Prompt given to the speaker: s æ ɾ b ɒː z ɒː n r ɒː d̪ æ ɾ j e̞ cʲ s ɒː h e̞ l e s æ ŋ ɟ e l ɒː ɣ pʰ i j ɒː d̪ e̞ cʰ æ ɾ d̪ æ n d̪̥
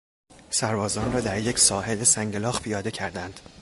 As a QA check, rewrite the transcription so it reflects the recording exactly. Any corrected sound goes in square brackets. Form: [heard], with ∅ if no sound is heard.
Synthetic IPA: s æ ɾ b ɒː z ɒː n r ɒː d̪ æ ɾ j e̞ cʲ s ɒː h e̞ l e s æ ŋ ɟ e l ɒː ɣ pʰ i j ɒː d̪ e̞ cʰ æ ɾ d̪ æ n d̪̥